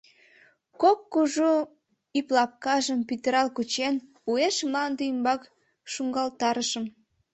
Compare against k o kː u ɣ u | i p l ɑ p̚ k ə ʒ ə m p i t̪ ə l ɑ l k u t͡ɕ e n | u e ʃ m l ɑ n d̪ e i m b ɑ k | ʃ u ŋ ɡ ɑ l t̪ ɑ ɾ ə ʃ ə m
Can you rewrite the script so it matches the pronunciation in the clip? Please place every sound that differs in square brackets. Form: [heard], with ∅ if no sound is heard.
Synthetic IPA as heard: k o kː u [ʒ] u | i p l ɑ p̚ k [ɑ] ʒ ə m p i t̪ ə [ɾ] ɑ l k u t͡ɕ e n | u e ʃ m l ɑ n d̪ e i m b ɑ k | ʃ u ŋ ɡ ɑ l t̪ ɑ ɾ ə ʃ ə m